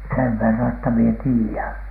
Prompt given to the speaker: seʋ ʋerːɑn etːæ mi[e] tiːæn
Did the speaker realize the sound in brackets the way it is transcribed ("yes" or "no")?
yes